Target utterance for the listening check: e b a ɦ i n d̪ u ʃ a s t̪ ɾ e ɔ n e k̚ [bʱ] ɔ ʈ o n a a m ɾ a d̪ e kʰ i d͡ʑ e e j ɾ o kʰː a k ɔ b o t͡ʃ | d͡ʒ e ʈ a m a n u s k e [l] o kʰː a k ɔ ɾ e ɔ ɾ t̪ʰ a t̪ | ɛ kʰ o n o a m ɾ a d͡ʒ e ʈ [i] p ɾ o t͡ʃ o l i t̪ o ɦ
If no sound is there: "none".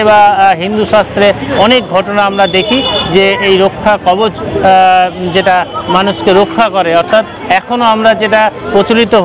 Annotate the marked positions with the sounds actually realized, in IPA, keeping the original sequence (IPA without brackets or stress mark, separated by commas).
ɡʱ, ɾ, a